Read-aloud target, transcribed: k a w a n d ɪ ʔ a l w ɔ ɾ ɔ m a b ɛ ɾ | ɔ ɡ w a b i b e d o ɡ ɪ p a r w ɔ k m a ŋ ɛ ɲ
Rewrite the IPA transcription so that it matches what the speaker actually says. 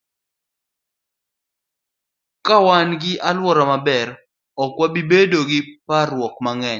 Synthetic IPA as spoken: k a w a n ɡ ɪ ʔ a l w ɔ ɾ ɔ m a b ɛ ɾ | ɔ k w a b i b e d o ɡ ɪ p a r w ɔ k m a ŋ ɛ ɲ